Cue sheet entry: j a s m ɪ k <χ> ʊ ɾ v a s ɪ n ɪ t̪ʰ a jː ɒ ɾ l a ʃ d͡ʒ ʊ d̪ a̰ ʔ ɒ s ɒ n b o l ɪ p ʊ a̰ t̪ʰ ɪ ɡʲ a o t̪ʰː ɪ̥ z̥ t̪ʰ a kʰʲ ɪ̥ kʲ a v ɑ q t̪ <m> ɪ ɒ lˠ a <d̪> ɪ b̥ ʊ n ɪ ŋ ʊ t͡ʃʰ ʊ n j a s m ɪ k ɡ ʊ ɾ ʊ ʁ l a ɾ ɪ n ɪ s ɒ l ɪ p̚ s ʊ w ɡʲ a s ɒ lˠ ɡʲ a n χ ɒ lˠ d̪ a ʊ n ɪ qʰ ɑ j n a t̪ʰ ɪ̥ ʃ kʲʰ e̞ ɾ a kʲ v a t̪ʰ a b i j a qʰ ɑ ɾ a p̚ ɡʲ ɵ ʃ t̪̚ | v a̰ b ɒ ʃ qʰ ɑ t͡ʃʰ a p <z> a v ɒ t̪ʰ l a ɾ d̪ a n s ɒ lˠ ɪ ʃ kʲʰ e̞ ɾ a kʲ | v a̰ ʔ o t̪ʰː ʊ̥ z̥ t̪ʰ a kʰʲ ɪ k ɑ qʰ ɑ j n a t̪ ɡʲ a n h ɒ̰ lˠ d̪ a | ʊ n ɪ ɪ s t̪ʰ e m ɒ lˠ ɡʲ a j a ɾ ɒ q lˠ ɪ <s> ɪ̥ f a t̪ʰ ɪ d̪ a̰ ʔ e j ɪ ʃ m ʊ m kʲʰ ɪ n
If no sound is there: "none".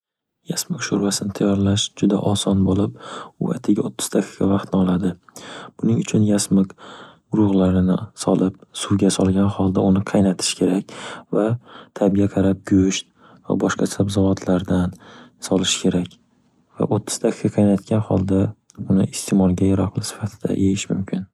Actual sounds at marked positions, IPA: ʃ, n, d̪, z, s

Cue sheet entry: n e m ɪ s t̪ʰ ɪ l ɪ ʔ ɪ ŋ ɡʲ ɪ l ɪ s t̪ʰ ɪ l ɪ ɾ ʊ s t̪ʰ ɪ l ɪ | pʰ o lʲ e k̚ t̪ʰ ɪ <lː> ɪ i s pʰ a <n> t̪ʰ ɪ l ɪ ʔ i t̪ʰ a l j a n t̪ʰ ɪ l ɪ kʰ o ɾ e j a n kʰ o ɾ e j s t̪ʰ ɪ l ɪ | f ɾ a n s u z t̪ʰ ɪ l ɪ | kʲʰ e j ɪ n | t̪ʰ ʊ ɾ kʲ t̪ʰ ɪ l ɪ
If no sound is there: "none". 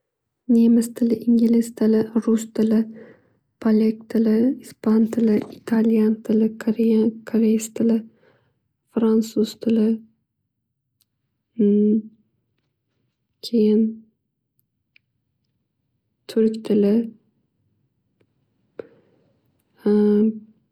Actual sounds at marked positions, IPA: l, n

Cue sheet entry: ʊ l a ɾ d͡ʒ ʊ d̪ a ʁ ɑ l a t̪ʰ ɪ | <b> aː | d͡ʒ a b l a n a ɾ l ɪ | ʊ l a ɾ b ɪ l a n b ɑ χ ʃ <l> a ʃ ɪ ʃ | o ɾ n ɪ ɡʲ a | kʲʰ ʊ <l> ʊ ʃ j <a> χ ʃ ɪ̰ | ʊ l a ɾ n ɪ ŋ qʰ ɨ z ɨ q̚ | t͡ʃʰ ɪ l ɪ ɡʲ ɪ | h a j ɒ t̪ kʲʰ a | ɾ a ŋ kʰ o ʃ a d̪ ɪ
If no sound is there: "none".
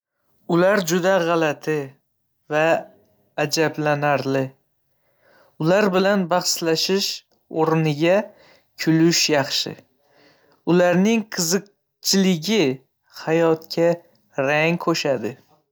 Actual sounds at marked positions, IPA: v, l, l, ɑ

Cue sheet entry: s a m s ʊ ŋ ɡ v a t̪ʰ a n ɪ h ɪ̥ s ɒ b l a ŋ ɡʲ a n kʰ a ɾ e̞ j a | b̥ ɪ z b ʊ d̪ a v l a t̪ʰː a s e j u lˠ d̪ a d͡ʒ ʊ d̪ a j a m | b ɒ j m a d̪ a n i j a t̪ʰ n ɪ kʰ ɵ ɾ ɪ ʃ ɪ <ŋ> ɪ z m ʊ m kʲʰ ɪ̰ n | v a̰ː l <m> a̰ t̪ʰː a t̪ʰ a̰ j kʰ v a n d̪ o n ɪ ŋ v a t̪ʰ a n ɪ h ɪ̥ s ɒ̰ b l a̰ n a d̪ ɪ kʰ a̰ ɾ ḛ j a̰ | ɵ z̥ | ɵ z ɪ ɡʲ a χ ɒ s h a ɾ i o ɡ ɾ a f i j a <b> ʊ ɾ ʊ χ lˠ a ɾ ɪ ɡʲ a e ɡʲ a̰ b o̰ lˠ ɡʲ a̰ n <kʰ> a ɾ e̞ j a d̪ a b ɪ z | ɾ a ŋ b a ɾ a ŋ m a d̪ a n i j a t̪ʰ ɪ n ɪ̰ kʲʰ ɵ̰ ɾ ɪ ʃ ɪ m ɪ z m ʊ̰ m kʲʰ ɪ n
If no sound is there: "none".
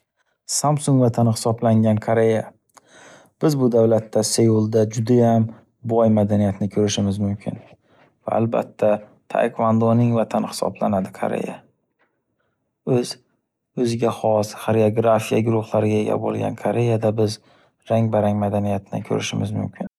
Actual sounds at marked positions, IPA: m, b, ɡ, kʰ

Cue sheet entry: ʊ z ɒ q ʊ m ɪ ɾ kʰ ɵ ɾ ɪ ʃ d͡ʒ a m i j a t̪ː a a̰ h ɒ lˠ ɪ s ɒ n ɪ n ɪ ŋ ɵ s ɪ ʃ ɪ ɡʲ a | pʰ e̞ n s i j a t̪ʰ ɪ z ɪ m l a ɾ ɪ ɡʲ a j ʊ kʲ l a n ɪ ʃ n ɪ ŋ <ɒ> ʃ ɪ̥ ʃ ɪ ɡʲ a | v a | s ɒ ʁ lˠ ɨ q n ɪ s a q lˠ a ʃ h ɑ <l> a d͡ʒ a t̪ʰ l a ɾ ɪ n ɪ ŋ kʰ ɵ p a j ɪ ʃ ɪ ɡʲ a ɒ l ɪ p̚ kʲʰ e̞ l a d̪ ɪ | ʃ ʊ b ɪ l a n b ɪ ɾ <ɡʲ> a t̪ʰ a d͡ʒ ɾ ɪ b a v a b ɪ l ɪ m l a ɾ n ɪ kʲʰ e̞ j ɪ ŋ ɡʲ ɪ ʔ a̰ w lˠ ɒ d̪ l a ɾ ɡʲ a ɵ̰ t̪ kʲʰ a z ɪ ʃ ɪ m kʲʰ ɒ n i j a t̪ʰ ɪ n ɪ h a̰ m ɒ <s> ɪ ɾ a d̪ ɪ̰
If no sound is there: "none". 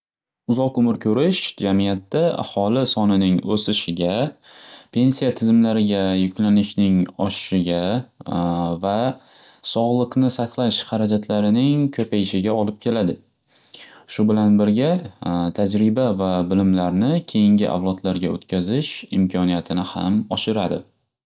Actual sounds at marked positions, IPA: ɒ, ɾ, ɡʲ, ʃ

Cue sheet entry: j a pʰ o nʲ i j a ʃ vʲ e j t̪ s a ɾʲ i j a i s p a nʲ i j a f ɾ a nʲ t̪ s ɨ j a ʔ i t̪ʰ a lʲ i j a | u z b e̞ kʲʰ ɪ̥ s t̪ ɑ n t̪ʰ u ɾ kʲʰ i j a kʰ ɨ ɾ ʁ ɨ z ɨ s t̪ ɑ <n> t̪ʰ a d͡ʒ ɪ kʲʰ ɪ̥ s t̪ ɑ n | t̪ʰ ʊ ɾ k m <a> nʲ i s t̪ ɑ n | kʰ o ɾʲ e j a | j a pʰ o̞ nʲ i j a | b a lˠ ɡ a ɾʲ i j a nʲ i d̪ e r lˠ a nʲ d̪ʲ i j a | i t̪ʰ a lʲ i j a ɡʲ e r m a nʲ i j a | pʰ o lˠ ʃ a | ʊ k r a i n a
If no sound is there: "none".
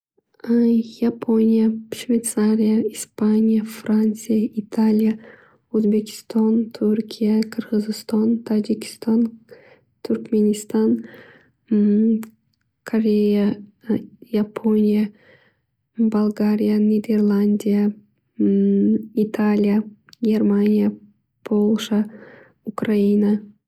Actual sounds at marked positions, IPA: n, e

